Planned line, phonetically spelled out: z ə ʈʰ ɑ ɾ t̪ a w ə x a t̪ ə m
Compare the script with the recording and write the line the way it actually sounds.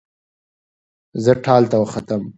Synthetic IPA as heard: z ə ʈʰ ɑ l t̪ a w ə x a t̪ ə m